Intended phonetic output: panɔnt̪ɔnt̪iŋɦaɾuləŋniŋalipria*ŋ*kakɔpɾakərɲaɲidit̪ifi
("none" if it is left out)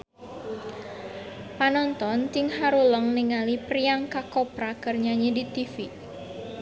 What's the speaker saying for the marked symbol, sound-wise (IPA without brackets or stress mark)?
ŋ